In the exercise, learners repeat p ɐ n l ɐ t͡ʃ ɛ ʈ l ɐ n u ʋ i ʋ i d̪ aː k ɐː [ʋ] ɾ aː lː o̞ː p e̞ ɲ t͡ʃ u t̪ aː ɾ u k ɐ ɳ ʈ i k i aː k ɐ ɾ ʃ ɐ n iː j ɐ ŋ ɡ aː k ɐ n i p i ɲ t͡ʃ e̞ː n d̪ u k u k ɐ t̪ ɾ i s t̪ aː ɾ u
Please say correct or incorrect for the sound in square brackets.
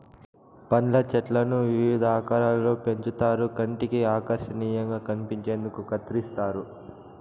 incorrect